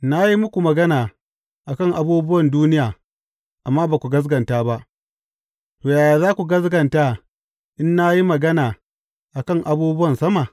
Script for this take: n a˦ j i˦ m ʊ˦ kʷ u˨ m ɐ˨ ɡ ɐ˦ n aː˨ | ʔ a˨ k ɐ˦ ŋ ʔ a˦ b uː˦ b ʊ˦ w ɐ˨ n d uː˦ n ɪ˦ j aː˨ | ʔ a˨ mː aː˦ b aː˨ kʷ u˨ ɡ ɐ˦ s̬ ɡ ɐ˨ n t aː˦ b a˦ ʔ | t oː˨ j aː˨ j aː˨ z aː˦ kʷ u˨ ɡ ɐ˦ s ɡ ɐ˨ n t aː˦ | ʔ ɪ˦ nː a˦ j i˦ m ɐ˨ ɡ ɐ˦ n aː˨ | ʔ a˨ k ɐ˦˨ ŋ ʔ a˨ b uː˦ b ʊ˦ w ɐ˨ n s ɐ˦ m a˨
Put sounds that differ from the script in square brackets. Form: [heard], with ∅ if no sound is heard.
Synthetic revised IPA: n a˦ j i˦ m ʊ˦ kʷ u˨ m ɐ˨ ɡ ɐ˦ n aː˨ | ʔ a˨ k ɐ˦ ŋ ʔ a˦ b uː˦ b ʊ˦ w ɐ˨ n d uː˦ n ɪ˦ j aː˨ | ʔ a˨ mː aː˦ b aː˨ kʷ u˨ ɡ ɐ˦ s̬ ɡ ɐ˨ n t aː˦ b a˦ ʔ | t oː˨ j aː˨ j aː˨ z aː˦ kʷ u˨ ɡ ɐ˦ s ɡ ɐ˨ n t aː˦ | ʔ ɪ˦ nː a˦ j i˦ m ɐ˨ ɡ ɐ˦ n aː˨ | ʔ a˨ k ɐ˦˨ ŋ ʔ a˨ b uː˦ b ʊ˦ w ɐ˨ n s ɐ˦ m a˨